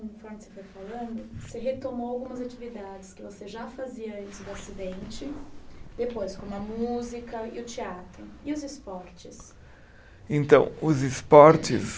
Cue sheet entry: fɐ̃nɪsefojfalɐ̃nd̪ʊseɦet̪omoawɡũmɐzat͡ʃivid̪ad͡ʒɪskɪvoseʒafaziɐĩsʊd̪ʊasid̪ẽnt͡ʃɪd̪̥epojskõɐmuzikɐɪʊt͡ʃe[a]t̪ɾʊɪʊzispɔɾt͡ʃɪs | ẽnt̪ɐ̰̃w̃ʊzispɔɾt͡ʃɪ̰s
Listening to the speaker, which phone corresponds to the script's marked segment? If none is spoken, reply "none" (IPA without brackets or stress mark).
a